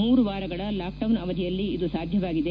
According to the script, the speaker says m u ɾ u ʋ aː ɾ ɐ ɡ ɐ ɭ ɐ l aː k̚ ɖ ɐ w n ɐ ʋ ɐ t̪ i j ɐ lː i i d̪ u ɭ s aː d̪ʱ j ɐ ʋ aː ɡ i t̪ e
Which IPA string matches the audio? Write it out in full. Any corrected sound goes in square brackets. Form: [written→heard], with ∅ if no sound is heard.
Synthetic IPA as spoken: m [u→uː] ɾ u ʋ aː ɾ ɐ ɡ ɐ ɭ ɐ l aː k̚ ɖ ɐ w n ɐ ʋ ɐ [t̪→d̪] i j ɐ lː i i d̪ u [ɭ→∅] s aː d̪ʱ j ɐ ʋ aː ɡ i [t̪→d̪] e